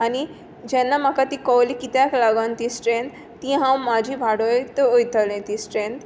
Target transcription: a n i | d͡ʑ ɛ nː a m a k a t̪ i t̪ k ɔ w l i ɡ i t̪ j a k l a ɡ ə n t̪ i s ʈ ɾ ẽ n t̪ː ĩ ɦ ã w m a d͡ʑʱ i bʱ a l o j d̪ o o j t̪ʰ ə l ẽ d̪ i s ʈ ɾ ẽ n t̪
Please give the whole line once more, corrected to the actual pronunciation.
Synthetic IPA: a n i | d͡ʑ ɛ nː a m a k a t̪ i k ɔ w l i k i t̪ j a k l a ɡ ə n t̪ i s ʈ ɾ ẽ n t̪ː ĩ ɦ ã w m a d͡ʑʱ i bʱ a ɽ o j t̪ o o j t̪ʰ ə l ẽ t̪ i s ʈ ɾ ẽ n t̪